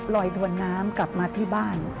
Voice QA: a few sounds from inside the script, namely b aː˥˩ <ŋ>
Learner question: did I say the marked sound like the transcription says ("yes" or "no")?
no